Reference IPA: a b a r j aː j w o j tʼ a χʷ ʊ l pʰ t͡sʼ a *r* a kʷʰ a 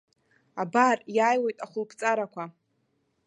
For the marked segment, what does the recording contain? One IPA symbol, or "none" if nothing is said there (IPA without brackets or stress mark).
ɾ